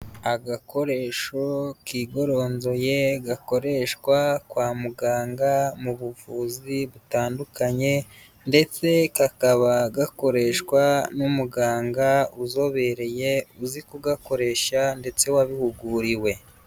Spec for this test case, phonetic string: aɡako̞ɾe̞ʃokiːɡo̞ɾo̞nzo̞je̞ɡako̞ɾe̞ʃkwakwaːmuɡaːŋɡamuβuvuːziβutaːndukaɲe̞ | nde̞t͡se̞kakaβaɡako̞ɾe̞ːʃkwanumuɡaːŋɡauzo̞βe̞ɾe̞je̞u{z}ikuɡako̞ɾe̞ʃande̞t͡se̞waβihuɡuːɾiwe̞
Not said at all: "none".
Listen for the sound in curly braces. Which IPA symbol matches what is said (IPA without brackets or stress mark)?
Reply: z